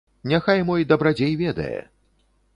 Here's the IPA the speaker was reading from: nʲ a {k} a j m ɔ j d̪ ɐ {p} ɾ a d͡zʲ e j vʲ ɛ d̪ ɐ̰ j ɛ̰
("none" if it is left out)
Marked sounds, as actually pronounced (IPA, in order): x, b

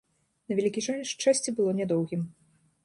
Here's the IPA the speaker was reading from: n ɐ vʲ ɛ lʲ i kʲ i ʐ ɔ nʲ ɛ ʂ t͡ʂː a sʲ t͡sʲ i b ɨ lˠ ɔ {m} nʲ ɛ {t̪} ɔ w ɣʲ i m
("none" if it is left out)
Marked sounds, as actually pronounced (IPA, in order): none, d̪

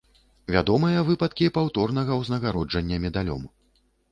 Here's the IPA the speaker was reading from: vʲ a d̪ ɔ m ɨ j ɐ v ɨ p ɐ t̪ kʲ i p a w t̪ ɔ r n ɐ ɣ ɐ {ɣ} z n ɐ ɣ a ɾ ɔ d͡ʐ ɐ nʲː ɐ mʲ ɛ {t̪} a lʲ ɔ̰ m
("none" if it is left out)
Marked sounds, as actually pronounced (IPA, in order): w, d̪

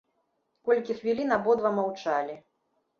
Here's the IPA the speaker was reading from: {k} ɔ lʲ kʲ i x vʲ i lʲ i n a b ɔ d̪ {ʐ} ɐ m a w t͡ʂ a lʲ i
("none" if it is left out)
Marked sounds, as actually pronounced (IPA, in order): k, v

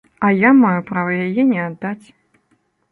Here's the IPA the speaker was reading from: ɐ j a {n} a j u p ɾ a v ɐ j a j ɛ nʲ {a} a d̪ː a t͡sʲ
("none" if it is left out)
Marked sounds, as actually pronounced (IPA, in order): m, ɛ

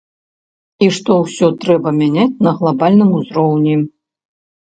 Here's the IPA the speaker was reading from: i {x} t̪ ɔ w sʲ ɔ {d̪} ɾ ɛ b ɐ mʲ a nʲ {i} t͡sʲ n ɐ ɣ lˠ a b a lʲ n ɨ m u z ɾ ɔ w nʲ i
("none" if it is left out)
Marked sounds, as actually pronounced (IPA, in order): ʂ, t̪, a

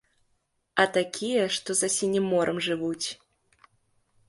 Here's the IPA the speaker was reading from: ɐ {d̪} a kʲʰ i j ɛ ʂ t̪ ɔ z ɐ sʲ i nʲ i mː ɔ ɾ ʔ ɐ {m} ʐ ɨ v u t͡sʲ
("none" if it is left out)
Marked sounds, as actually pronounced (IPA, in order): t̪, m

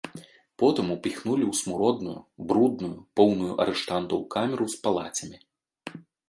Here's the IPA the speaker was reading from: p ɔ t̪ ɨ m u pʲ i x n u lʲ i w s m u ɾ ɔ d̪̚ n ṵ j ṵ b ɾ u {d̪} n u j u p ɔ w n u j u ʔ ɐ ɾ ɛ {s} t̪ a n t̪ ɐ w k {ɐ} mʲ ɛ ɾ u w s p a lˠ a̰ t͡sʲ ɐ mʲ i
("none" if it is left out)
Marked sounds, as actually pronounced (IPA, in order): d̪, ʂ, a

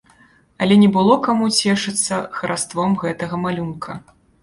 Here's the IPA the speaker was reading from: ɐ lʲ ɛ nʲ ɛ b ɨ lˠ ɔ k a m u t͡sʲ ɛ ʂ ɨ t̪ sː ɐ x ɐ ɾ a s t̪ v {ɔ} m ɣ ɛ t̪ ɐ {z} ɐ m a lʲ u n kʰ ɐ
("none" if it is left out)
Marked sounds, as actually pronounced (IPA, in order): ɔ, ɣ

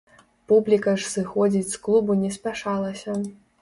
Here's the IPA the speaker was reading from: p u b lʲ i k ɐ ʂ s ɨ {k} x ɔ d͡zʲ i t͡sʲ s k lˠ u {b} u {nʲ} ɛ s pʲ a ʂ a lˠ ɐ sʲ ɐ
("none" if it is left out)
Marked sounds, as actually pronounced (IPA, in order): none, b, nʲ

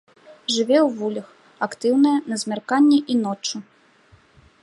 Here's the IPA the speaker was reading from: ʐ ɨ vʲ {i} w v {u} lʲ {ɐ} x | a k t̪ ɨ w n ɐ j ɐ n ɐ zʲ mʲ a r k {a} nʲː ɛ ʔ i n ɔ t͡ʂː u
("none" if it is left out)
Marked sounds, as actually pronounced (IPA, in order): ɛ, u, ɐ, a

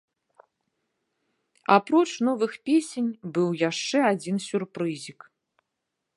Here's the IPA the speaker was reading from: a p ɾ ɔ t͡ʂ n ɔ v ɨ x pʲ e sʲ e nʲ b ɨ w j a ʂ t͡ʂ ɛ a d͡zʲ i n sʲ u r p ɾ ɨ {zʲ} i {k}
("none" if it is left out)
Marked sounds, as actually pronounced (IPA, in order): zʲ, k

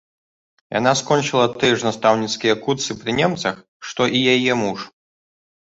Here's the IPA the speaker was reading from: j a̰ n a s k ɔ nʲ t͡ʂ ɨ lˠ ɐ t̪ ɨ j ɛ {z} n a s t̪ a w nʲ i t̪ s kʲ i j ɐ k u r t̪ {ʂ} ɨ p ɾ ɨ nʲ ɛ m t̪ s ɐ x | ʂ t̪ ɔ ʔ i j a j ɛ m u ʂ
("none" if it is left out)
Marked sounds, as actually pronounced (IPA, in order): ʐ, s

